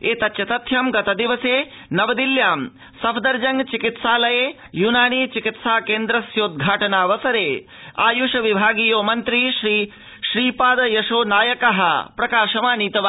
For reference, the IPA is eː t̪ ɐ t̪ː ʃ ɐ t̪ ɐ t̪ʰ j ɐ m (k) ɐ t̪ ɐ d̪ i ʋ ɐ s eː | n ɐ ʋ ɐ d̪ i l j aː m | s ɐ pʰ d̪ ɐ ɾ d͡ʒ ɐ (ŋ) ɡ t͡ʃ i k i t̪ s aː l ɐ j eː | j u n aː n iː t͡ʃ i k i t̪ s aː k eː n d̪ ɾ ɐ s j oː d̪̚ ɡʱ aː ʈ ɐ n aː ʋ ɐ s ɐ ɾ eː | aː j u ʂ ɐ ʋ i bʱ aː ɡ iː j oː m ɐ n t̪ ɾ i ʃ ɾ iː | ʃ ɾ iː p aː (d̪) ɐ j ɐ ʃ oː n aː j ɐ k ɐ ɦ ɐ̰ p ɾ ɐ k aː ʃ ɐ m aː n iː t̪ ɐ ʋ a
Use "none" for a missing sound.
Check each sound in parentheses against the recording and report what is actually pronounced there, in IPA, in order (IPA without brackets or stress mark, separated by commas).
ɡ, ŋ, d̪